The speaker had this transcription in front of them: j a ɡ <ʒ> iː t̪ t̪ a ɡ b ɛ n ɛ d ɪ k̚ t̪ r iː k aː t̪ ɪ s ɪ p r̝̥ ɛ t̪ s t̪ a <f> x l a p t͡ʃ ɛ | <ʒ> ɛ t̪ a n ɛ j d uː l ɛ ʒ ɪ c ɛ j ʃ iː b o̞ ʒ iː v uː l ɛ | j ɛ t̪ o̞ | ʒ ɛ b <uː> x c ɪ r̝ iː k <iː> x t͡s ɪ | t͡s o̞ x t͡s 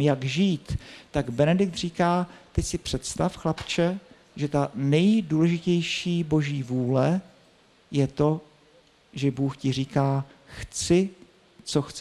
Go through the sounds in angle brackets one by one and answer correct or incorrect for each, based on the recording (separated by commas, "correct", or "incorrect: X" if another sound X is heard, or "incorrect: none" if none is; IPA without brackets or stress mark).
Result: correct, correct, correct, correct, incorrect: aː